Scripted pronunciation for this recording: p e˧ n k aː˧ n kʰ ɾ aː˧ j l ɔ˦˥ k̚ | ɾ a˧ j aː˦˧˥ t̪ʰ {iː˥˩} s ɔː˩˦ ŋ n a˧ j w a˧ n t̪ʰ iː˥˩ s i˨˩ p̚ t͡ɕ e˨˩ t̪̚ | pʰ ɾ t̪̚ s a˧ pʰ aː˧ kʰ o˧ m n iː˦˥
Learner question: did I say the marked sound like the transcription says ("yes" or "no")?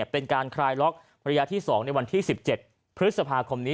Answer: yes